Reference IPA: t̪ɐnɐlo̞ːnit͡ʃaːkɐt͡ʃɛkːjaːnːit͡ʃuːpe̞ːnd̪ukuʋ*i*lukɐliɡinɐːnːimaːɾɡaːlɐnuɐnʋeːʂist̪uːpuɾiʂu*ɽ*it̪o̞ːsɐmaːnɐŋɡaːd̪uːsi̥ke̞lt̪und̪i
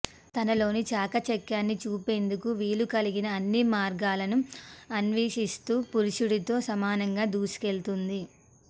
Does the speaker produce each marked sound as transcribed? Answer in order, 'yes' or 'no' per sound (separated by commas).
no, yes